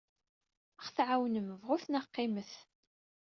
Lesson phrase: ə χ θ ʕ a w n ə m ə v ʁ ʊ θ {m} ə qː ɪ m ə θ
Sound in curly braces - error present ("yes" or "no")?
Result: yes